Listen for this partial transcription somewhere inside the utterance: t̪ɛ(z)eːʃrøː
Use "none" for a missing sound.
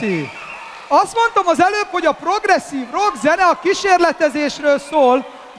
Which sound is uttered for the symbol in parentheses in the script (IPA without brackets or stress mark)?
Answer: z